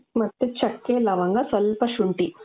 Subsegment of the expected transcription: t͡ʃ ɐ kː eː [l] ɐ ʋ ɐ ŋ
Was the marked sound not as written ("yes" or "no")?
no